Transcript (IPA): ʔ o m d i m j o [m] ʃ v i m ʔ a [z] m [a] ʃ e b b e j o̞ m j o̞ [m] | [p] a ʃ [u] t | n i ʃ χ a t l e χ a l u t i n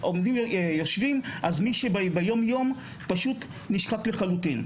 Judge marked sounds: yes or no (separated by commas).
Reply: no, yes, no, yes, yes, yes